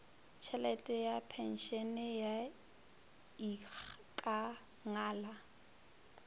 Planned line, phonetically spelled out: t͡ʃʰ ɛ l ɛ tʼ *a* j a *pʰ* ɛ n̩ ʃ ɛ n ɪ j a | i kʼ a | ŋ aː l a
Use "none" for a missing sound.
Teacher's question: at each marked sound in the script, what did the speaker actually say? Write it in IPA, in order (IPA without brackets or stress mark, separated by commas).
ɛ, pʰ